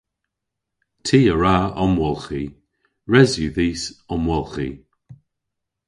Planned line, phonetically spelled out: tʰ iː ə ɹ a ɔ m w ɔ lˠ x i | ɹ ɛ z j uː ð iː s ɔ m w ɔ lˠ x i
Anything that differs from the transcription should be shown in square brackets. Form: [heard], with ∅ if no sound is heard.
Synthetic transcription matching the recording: tʰ iː ə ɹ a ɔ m w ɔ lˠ x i | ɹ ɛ z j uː ð iː s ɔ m w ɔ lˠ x i